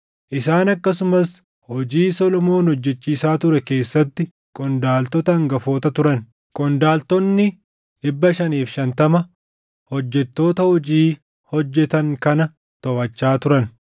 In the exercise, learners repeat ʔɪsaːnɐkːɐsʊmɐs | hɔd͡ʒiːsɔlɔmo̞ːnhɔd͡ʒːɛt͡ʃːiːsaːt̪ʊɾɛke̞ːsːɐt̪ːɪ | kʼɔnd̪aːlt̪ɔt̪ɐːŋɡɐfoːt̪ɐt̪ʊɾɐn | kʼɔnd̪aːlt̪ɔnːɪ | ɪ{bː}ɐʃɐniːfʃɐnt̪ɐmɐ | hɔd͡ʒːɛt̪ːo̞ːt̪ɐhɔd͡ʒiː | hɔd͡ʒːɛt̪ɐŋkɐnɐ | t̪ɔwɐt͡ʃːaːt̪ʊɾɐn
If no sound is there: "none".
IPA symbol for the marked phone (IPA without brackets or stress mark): bː